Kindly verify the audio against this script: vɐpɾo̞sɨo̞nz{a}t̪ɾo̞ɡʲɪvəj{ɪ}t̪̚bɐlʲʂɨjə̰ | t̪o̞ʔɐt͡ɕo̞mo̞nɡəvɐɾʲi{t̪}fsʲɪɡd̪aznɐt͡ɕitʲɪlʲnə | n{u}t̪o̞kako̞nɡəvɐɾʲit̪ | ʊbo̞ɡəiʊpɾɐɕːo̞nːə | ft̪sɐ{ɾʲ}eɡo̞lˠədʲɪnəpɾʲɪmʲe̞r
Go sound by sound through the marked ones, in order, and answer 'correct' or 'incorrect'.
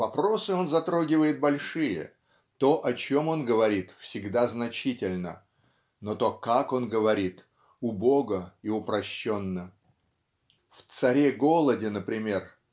incorrect: ɐ, correct, correct, incorrect: o, correct

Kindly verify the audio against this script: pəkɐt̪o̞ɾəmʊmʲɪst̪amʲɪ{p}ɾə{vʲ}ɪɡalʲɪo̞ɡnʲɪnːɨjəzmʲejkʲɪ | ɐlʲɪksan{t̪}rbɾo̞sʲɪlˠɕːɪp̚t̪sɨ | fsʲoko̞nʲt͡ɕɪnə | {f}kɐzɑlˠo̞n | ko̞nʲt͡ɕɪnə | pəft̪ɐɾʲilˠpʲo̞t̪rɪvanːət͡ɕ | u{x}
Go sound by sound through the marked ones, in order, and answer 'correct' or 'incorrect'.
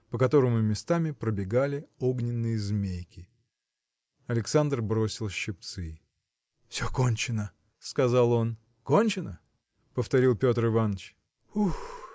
correct, incorrect: bʲ, incorrect: d̪, incorrect: s, correct

